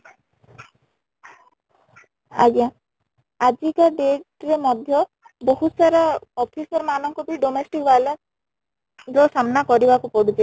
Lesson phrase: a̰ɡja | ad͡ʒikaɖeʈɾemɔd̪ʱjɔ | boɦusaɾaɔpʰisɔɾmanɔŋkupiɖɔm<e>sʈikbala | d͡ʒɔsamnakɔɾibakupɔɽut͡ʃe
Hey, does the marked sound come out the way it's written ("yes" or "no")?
yes